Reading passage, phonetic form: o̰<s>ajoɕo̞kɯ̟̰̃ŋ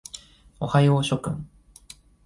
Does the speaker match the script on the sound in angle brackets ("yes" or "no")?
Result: no